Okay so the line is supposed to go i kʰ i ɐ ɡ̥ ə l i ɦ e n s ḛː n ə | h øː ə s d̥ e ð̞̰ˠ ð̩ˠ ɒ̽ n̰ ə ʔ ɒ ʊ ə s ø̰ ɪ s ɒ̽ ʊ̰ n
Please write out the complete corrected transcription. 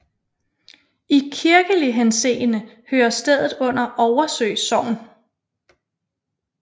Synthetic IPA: i kʰ i ɐ ɡ̥ ə l i ɦ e n s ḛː n ə | h øː ɐ s d̥ e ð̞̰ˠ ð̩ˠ ɔ̽ n̰ ɐ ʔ ɒ ʊ ɐ s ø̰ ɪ s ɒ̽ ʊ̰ n